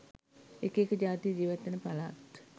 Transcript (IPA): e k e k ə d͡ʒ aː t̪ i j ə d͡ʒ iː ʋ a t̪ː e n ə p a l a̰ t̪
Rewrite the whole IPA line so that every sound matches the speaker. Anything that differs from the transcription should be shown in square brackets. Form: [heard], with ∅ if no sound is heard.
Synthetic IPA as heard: e k e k ə d͡ʒ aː t̪ i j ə d͡ʒ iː ʋ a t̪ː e n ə p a l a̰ t̪